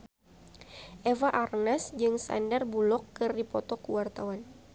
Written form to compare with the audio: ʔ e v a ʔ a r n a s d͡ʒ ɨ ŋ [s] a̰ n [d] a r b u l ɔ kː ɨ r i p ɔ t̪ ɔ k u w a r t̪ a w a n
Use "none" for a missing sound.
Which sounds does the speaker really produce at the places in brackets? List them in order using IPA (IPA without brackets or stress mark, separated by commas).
s, d